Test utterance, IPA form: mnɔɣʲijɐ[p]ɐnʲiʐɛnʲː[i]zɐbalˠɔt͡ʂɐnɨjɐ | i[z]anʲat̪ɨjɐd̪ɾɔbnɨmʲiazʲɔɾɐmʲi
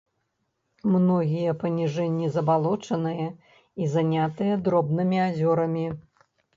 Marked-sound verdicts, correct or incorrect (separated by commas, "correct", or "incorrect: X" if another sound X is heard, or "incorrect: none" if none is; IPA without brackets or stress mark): correct, correct, correct